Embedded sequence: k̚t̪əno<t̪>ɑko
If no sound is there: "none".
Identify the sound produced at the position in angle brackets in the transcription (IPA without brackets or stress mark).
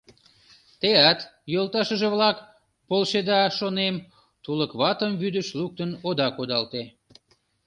d̪